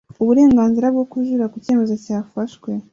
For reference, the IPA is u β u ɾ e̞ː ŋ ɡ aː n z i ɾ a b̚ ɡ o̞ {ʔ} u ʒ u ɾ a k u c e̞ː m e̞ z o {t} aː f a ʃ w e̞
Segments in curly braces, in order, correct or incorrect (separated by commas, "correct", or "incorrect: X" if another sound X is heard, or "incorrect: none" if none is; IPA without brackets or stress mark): incorrect: k, incorrect: c